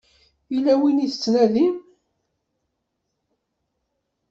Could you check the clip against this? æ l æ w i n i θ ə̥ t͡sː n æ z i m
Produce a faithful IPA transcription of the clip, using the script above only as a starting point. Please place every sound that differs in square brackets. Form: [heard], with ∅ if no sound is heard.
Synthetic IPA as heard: [i] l æ w i n i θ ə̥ t͡sː n æ [ð] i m